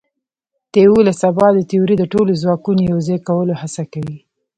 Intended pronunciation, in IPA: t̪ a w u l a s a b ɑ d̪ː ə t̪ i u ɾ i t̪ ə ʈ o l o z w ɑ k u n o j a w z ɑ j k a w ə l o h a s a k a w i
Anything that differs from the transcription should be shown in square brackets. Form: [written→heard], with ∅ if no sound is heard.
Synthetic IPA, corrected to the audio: t̪ [a→e] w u l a s a b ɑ [d̪ː→d̪] ə t̪ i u ɾ i [t̪→d̪] ə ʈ o l o z w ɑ k u n o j a w z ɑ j k a w ə l o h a s a k a w i